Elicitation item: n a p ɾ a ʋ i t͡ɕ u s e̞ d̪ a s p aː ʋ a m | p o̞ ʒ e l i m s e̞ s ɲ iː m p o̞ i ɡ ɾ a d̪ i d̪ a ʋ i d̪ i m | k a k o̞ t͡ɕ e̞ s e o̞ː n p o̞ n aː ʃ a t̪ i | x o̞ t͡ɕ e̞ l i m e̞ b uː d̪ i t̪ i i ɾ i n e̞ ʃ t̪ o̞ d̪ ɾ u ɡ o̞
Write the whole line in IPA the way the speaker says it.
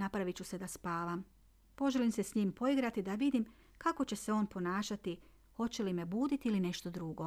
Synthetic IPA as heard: n a p ɾ a ʋ i t͡ɕ u s e̞ d̪ a s p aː ʋ a m | p o̞ ʒ e l i m s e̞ s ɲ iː m p o̞ i ɡ ɾ a t̪ i d̪ a ʋ i d̪ i m | k a k o̞ t͡ɕ e̞ s e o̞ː n p o̞ n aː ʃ a t̪ i | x o̞ t͡ɕ e̞ l i m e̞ b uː d̪ i t̪ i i l i n e̞ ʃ t̪ o̞ d̪ ɾ u ɡ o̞